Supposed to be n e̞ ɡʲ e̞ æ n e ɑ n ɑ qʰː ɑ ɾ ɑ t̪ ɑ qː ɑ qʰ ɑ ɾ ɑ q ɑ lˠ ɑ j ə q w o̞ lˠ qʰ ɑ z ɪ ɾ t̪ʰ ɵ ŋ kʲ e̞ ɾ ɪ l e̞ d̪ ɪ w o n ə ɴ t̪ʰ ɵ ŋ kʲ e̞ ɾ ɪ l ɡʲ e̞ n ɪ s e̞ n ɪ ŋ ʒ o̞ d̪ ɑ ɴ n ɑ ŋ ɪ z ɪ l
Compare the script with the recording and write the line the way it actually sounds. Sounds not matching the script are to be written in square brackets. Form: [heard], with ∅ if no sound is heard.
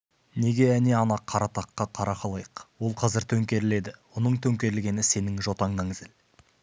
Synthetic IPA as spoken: n e̞ ɡʲ e̞ æ n e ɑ n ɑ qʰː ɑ ɾ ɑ t̪ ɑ qː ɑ qʰ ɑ ɾ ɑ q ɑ lˠ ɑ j ə q w o̞ lˠ qʰ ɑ z ɪ ɾ t̪ʰ ɵ ŋ kʲ e̞ ɾ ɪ l e̞ d̪ ɪ w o n ə ɴ t̪ʰ ɵ ŋ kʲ e̞ ɾ ɪ l ɡʲ e̞ n ɪ s e̞ n ɪ ŋ ʒ o̞ [t̪] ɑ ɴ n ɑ ŋ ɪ z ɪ l